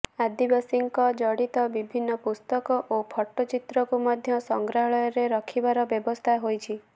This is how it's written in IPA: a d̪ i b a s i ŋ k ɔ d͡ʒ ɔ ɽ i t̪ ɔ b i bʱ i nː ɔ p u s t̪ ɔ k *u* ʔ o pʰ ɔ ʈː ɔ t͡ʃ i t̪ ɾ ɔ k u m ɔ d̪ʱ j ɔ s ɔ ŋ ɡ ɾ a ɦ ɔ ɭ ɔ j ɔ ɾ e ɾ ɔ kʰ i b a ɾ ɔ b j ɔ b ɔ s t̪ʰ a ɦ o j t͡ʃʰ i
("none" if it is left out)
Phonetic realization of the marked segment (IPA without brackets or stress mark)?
ɔ